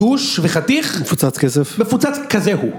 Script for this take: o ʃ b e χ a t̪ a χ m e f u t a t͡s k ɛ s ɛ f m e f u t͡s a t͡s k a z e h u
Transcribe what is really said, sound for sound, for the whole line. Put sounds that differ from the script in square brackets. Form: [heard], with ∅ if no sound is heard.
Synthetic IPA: [u] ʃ [v] e χ a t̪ [i] χ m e f u [t͡s] a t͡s k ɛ s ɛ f m e f u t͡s a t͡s k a z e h u